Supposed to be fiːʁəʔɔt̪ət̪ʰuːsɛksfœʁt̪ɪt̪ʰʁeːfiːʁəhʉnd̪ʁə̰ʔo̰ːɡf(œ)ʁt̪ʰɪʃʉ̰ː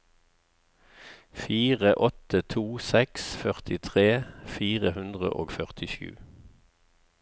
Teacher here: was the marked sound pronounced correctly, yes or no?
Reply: yes